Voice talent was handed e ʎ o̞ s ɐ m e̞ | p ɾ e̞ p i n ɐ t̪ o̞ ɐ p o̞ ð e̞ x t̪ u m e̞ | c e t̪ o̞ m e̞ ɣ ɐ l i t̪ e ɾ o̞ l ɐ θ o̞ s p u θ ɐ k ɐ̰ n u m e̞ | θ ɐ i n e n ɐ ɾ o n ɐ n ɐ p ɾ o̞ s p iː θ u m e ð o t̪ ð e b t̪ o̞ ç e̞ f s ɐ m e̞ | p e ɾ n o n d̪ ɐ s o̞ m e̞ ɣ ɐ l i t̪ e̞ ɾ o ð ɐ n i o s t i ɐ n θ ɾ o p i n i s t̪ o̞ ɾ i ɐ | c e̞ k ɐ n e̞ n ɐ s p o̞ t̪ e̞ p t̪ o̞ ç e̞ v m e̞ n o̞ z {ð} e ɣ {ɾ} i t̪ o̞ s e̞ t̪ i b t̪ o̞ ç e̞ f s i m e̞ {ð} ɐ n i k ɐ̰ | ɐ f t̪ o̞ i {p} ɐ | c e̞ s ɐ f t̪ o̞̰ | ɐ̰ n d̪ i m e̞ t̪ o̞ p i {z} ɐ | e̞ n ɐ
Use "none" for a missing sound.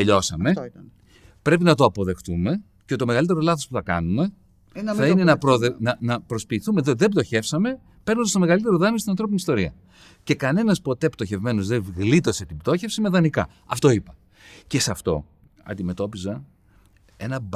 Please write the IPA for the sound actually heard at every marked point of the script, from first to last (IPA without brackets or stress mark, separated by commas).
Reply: ð, l, ð, p, z